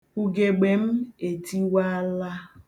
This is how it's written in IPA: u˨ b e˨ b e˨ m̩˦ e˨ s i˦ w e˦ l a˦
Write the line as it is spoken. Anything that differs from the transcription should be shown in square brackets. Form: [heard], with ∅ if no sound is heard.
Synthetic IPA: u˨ [ɡ] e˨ [ɡ͡b] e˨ m̩˦ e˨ [t] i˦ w [a˦] l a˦